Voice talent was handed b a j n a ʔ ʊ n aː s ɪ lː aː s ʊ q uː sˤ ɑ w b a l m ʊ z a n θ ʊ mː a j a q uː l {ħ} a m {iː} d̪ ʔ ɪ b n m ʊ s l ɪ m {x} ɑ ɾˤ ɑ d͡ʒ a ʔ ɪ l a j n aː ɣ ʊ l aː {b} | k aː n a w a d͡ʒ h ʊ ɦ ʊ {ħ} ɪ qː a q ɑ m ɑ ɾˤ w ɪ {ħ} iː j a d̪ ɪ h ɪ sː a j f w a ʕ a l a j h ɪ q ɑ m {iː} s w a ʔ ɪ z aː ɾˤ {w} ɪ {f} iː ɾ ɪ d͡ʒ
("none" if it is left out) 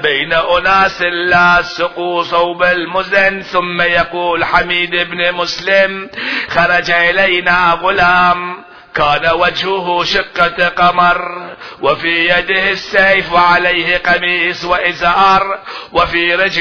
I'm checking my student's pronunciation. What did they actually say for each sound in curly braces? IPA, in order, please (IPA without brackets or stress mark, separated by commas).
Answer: ħ, iː, x, m, ʃ, f, iː, w, f